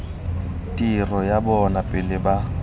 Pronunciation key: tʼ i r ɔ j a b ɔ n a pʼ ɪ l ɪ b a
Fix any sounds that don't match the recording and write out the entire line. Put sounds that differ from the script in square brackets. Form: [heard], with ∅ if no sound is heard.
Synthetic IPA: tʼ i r ɔ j a b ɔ n a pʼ ɪ l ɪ b a